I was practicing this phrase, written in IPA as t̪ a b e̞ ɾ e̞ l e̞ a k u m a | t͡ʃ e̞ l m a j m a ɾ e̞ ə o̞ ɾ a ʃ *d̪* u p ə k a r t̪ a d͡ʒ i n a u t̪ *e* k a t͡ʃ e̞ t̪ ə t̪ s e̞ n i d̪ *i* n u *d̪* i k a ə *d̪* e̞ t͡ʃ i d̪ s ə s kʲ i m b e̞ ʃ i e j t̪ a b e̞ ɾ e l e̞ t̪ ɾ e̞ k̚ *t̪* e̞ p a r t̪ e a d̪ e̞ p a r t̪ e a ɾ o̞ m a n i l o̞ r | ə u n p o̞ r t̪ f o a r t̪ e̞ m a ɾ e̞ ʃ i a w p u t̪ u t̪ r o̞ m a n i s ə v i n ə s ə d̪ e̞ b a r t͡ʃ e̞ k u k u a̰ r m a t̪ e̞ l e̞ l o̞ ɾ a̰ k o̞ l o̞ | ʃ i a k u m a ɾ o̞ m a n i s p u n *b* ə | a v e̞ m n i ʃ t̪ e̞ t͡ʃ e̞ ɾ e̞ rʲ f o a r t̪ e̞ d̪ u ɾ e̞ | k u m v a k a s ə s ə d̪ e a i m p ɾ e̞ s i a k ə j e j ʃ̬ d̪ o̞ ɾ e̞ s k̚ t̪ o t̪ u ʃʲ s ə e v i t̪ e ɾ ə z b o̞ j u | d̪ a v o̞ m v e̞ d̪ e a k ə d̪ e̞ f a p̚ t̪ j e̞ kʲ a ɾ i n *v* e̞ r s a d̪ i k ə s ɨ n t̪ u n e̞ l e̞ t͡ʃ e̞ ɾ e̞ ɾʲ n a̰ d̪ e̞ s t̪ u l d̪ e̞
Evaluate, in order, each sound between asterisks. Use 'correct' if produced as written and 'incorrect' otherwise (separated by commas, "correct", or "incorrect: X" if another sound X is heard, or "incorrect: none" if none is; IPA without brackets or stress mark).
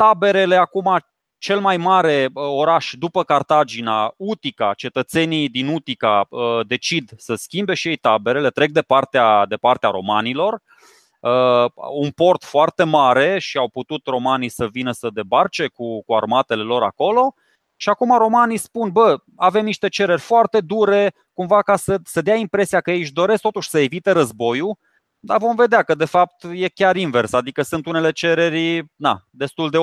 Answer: correct, incorrect: i, correct, incorrect: t̪, correct, incorrect: d̪, correct, correct